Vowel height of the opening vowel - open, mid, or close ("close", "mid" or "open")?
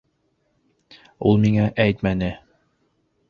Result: close